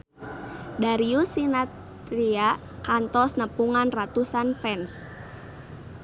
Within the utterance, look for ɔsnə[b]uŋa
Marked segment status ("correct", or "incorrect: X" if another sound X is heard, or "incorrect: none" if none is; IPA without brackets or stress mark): incorrect: p